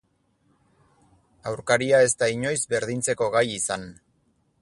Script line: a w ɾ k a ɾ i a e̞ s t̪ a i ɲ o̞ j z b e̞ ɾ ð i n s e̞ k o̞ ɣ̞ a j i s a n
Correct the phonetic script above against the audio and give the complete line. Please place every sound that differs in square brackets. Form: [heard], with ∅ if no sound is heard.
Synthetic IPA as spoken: a w ɾ k a ɾ i a e̞ s t̪ a i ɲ o̞ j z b e̞ ɾ ð i n [t͡s] e̞ k o̞ ɣ̞ a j i s a n

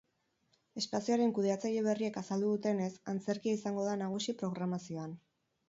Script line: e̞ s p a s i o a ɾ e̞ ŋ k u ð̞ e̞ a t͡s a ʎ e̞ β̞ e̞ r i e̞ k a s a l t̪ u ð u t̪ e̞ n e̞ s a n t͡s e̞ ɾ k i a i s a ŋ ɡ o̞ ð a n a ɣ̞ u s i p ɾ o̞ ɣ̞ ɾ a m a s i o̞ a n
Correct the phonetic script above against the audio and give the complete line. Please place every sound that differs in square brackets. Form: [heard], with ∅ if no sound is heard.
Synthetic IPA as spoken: e̞ s p a s i o a ɾ e̞ ŋ k u ð̞ e̞ a t͡s a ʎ e̞ β̞ e̞ r i e̞ k a s a l [d̪] u ð u t̪ e̞ n e̞ s a n t͡s e̞ ɾ k i a i s a ŋ ɡ o̞ ð a n a ɣ̞ u s i p ɾ o̞ ɣ̞ ɾ a m a s i o̞ a n

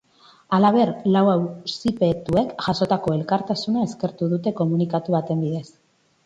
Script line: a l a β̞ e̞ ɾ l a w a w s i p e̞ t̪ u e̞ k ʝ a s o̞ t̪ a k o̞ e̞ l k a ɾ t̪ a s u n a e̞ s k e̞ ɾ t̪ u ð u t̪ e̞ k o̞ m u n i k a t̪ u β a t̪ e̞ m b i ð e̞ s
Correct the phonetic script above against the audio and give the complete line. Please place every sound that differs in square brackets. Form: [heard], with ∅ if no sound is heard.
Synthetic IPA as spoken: a l a β̞ e̞ ɾ l a w a w s i p e̞ t̪ u e̞ k ʝ a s o̞ t̪ a k o̞ e̞ l k a ɾ t̪ a s u n a e̞ s k e̞ ɾ t̪ u ð u t̪ e̞ k o̞ m u n i k a t̪ u β a t̪ e̞ m b i ð e̞ s

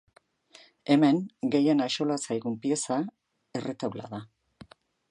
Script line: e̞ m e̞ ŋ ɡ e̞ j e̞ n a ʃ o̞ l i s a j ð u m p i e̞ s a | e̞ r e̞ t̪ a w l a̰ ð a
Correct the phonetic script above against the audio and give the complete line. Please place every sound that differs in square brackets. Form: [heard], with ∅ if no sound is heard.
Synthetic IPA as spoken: e̞ m e̞ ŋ ɡ e̞ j e̞ n a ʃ o̞ l [a] s a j [ɣ] u m p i e̞ s a | e̞ r e̞ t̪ a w l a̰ ð a

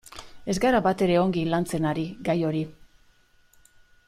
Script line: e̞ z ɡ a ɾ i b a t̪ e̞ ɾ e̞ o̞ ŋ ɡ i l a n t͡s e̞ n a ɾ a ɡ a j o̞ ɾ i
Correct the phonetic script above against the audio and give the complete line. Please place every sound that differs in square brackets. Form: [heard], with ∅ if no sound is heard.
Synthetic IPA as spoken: e̞ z ɡ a ɾ [a] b a t̪ e̞ ɾ e̞ o̞ ŋ ɡ i l a n t͡s e̞ n a ɾ [i] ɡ a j o̞ ɾ i

